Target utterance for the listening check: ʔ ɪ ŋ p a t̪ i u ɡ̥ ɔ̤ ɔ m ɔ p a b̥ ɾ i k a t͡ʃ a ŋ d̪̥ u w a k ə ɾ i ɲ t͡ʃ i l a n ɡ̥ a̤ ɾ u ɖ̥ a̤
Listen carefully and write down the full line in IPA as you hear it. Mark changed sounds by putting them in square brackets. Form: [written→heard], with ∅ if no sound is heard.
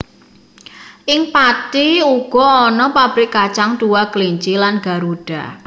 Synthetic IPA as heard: ʔ ɪ ŋ p a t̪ i u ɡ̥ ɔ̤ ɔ [m→n] ɔ p a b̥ ɾ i k a t͡ʃ a ŋ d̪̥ u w a k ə [ɾ→l] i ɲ t͡ʃ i l a n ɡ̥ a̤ ɾ u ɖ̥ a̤